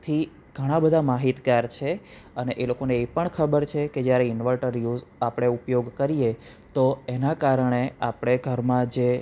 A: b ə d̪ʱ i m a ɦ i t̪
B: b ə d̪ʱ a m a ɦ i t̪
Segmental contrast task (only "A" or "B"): B